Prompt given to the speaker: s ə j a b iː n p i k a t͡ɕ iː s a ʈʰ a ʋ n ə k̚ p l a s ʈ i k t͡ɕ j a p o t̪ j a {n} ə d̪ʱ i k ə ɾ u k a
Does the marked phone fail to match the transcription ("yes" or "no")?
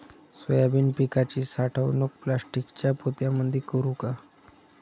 yes